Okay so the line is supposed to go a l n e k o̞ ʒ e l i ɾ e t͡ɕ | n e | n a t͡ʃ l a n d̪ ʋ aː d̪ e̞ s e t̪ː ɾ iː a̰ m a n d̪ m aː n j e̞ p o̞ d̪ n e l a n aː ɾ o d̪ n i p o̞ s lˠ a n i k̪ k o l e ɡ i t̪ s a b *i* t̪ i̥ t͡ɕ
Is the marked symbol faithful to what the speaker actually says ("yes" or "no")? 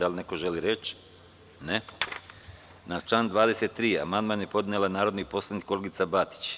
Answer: no